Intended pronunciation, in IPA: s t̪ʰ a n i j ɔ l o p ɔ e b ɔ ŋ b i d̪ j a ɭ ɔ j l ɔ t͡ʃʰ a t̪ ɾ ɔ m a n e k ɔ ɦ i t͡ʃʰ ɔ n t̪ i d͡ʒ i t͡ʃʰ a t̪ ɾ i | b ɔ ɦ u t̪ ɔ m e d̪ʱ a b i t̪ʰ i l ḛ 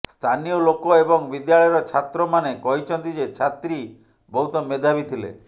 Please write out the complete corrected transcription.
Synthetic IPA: s t̪ʰ a n i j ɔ l o k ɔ e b ɔ ŋ b i d̪ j a ɭ ɔ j ɾ ɔ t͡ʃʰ a t̪ ɾ ɔ m a n e k ɔ ɦ i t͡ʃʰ ɔ n t̪ i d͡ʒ e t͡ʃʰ a t̪ ɾ i | b ɔ ɦ u t̪ ɔ m e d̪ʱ a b i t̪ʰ i l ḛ